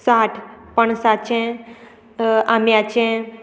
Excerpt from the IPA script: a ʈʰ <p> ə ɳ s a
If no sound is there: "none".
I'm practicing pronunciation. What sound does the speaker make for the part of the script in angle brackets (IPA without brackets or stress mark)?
p